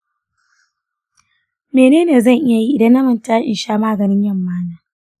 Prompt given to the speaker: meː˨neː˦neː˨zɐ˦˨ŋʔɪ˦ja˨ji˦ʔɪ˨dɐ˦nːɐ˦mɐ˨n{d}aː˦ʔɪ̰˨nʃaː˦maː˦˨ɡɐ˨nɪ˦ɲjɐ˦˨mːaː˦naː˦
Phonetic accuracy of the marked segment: incorrect: t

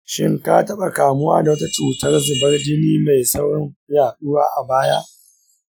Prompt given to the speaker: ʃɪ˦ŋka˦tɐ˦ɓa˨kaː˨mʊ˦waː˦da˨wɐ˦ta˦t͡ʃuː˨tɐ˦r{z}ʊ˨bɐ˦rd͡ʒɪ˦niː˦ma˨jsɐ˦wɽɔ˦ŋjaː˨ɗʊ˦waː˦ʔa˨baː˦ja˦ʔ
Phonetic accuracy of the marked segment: correct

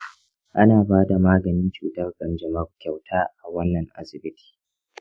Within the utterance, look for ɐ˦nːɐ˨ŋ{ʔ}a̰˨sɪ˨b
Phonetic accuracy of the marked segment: correct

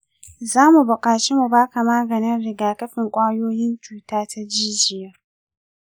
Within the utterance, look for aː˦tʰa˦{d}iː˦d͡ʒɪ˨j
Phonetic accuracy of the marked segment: incorrect: d͡ʒ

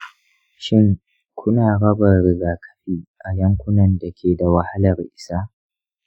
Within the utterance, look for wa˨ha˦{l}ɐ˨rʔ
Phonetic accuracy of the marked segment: correct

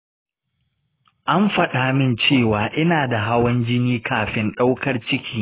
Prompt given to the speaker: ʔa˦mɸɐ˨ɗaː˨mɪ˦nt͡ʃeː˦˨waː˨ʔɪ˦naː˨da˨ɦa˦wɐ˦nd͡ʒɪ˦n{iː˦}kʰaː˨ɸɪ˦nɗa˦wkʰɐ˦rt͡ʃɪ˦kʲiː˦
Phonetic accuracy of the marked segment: correct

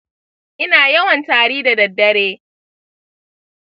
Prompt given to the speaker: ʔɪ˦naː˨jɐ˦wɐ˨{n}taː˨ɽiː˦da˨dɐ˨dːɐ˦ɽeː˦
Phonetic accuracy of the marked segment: correct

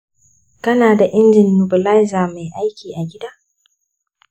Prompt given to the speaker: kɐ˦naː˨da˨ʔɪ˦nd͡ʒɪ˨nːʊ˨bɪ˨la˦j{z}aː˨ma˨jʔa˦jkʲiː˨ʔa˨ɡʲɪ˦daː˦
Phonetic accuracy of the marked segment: correct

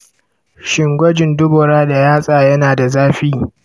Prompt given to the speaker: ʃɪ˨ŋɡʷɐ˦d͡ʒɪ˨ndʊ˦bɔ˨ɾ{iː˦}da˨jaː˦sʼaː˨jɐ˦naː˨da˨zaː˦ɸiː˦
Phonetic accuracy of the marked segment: incorrect: aː˦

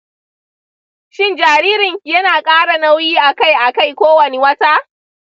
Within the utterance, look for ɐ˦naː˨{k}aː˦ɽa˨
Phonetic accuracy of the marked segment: incorrect: kʼ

